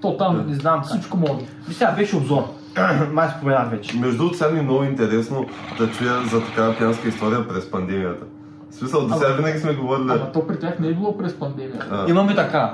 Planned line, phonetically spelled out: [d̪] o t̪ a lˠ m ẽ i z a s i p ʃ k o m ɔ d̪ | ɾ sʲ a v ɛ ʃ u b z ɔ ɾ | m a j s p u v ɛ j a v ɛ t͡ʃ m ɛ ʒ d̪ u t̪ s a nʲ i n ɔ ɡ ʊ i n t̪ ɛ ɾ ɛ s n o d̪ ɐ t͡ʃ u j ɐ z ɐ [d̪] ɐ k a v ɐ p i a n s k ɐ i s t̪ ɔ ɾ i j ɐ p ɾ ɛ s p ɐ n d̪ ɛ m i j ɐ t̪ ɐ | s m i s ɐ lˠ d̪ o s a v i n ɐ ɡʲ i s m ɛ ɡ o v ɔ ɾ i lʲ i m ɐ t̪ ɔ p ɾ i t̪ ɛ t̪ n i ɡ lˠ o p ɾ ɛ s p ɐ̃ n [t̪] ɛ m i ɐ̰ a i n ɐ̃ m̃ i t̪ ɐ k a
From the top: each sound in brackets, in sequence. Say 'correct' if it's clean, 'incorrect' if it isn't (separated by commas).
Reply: incorrect, incorrect, incorrect